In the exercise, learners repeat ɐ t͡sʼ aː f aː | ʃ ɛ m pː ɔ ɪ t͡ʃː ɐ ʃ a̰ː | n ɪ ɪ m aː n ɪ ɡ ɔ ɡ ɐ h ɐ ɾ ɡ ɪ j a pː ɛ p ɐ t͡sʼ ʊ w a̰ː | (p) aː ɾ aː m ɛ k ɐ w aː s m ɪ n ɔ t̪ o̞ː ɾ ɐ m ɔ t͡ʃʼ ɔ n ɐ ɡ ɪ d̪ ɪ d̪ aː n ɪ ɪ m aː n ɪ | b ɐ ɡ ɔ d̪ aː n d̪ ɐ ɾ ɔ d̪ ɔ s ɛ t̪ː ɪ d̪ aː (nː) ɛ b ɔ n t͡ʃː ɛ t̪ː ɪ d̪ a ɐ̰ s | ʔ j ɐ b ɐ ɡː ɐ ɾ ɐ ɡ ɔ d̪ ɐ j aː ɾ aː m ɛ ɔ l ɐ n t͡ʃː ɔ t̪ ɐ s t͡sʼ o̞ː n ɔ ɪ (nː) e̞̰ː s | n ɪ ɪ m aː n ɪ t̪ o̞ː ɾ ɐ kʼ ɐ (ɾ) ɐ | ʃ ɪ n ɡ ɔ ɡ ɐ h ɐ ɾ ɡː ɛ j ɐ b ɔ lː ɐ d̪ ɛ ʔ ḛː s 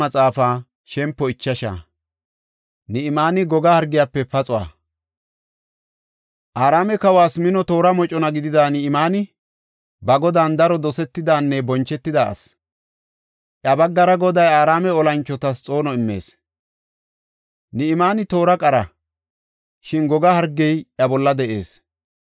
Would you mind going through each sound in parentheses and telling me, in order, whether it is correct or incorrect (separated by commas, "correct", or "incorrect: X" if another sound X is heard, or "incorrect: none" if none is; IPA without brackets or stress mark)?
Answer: incorrect: ʔ, correct, incorrect: mː, correct